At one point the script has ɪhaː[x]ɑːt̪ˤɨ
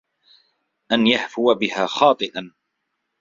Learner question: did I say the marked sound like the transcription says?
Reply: yes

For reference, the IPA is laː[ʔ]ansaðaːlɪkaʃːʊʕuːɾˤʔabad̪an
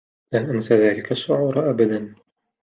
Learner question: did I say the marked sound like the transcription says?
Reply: yes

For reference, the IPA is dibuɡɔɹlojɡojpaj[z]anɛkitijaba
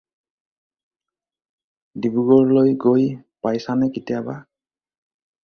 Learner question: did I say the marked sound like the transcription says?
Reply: no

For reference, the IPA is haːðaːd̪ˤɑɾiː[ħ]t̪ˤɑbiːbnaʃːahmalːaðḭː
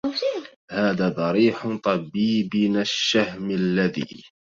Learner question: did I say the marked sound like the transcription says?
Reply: yes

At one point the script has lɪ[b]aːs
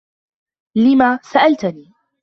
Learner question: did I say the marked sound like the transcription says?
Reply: no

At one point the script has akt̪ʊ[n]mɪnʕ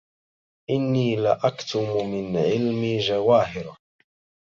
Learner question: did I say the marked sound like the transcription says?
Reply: no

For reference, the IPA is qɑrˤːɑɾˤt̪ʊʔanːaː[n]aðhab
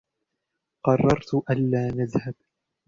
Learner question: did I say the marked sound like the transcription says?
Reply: yes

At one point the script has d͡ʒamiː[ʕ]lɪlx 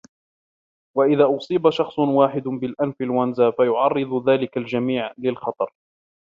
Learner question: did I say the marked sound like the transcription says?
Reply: yes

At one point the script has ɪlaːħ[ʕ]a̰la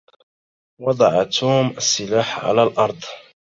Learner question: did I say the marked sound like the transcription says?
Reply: yes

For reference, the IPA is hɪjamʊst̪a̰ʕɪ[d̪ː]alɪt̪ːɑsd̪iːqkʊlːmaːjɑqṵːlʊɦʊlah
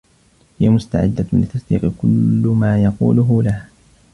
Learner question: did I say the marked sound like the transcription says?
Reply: yes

